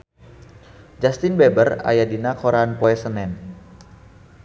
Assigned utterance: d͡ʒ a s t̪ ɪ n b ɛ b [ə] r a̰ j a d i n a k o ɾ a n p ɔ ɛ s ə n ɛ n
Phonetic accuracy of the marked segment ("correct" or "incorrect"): correct